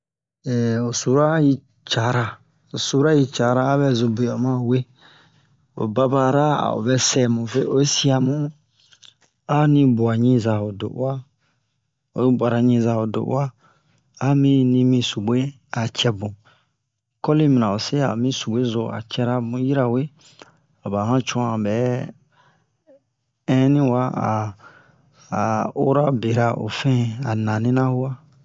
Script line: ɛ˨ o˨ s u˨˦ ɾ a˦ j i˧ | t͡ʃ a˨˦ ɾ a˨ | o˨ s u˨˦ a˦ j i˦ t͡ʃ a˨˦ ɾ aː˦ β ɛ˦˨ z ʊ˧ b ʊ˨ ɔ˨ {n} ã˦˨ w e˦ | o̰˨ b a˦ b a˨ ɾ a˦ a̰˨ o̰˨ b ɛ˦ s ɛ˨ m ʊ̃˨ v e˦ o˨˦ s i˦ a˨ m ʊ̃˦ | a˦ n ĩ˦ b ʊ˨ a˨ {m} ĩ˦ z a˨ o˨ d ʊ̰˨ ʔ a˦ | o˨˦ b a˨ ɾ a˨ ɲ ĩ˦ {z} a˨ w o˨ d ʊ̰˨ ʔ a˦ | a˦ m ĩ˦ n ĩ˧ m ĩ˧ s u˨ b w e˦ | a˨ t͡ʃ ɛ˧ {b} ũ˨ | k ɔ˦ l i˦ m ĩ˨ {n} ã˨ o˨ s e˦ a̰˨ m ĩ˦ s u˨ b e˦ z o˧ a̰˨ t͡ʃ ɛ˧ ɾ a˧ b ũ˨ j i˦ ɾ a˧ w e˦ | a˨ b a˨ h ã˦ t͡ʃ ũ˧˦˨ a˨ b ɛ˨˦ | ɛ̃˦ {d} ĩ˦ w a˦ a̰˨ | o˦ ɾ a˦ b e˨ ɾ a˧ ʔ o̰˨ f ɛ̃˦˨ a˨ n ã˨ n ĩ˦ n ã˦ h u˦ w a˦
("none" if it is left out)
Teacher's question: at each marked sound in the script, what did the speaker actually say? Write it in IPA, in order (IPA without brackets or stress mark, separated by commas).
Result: m, ɲ, z, b, n, n